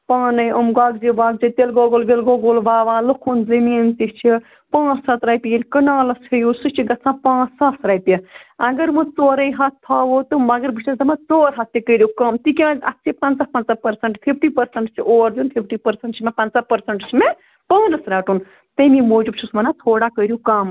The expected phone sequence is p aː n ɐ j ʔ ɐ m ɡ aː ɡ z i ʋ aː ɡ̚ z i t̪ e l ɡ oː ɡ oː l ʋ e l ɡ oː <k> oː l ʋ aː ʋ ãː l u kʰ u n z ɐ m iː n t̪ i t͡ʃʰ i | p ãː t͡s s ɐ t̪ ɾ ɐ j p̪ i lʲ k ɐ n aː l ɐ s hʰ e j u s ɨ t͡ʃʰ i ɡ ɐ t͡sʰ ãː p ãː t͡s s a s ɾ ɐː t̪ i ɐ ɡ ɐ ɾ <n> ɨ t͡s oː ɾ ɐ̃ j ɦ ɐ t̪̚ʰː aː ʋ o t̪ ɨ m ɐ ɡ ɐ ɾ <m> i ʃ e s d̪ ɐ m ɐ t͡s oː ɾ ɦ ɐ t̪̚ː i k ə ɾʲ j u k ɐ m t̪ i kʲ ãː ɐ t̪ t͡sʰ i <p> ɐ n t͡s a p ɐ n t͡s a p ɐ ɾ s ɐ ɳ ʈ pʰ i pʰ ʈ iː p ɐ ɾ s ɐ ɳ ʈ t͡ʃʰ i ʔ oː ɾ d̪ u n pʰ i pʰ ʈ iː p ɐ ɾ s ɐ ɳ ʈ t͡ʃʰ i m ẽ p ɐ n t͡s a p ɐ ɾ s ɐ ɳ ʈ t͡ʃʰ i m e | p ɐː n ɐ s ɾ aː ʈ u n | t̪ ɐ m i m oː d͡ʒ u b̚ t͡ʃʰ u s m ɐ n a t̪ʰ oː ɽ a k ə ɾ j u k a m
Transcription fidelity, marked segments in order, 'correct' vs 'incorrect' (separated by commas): incorrect, incorrect, incorrect, correct